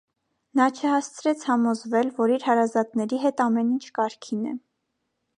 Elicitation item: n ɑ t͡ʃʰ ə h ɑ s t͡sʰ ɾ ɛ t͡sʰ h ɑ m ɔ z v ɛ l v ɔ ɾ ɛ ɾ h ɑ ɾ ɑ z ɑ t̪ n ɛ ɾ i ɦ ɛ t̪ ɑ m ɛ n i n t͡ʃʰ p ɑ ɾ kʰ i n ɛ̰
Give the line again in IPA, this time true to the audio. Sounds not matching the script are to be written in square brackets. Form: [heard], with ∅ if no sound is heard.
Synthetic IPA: n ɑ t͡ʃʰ ə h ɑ s t͡sʰ ɾ ɛ t͡sʰ h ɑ m ɔ z v ɛ l v ɔ ɾ [i] ɾ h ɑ ɾ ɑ z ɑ t̪ n ɛ ɾ i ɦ ɛ t̪ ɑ m ɛ n i n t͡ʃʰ [k] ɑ ɾ kʰ i n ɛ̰